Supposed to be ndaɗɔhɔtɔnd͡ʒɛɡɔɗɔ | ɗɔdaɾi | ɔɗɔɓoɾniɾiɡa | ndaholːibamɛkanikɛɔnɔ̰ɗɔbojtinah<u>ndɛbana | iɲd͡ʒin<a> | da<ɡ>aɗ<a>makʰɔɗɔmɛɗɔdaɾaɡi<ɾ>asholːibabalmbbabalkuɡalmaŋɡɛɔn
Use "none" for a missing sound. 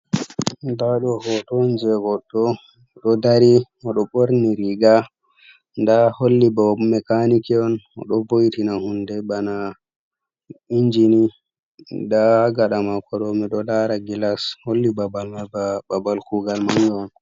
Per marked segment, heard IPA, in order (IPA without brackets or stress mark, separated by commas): u, i, ɡ, a, l